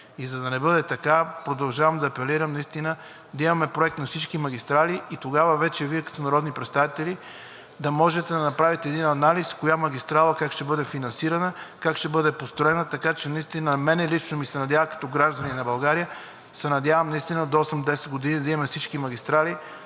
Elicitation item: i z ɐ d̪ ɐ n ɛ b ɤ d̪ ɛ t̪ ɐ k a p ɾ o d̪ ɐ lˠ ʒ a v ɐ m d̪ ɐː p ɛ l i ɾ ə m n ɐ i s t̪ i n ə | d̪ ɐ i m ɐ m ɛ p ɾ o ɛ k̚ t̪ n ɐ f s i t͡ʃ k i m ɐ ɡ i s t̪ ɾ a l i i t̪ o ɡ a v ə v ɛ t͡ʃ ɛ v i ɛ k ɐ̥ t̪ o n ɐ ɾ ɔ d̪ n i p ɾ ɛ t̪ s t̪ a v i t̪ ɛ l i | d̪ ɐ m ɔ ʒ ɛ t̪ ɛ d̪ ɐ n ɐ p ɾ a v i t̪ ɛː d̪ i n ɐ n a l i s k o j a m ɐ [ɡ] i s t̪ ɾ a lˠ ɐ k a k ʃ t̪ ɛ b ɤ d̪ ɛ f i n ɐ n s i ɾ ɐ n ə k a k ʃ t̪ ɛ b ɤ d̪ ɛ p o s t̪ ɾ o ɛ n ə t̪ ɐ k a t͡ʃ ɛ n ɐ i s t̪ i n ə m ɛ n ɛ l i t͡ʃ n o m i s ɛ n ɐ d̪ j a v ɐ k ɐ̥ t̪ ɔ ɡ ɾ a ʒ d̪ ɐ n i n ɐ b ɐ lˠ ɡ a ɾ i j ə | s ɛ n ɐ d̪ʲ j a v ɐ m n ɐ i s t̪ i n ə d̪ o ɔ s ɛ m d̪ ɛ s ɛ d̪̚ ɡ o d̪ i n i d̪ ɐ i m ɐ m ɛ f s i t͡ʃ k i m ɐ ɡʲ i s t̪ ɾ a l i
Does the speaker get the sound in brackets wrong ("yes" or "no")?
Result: no